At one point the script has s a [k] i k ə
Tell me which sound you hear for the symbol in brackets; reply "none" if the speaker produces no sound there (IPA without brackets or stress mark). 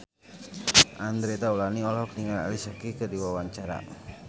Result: k